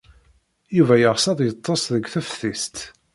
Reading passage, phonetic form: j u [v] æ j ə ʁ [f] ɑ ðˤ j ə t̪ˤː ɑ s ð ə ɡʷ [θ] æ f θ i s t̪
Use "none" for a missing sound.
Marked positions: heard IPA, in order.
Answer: v, s, θ

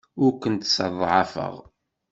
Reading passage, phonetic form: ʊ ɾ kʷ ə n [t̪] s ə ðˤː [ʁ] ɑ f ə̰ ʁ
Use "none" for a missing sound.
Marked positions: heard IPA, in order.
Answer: t̪, ʕ

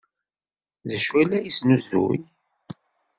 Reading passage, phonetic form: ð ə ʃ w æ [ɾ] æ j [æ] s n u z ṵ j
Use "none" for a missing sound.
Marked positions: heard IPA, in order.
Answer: l, i

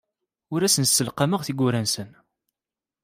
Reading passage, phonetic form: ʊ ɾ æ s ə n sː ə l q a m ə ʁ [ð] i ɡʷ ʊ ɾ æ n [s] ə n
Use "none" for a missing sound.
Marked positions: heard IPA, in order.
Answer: θ, s

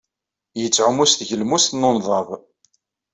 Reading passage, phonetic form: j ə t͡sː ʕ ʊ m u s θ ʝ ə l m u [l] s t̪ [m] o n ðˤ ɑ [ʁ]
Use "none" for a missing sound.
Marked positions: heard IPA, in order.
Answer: none, n, v

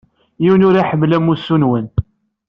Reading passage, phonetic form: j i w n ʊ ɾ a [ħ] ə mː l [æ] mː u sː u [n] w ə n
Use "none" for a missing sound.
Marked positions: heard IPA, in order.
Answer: ħ, æ, n

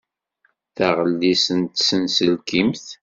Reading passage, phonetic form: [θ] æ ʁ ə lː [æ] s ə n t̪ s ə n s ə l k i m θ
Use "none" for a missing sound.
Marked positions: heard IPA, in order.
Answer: θ, i

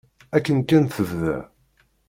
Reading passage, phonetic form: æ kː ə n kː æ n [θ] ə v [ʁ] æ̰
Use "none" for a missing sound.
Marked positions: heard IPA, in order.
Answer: θ, ð

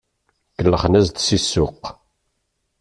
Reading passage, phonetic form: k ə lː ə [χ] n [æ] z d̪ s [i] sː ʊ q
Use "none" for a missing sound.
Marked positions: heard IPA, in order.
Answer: χ, æ, i

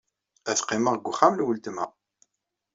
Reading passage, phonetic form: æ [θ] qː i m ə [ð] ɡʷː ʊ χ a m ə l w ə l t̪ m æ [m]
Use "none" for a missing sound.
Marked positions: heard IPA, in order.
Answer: θ, ʁ, none

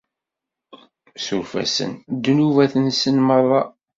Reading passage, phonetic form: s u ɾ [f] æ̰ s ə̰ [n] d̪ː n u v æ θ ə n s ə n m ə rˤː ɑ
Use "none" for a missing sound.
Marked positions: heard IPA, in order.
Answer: f, n

